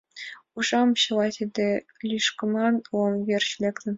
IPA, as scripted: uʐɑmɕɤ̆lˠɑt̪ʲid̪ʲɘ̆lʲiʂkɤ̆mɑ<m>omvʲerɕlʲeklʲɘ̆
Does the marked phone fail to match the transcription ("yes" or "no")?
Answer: yes